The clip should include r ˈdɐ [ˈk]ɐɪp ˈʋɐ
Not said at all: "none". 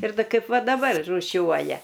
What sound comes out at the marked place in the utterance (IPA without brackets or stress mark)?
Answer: k